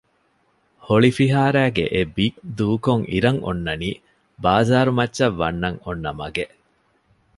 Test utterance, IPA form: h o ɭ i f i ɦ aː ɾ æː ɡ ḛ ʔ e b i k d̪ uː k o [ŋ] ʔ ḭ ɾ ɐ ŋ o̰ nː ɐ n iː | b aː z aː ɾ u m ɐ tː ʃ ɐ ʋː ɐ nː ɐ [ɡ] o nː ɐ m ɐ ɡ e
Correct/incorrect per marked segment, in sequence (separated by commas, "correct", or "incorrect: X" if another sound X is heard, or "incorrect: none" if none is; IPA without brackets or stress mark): correct, incorrect: ŋ